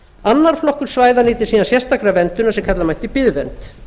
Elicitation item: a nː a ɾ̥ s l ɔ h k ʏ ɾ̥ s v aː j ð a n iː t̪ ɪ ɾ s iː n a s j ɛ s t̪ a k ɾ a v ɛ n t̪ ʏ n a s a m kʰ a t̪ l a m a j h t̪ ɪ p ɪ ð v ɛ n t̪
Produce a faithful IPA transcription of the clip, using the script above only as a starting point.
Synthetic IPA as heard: a nː a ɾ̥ f l ɔ h k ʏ ɾ̥ s v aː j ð a n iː t̪ ɪ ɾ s iː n a s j ɛ s t̪ a k ɾ a v ɛ n t̪ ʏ n a s ɛ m kʰ a t̪ l a m a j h t̪ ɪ p ɪ ð v ɛ n t̪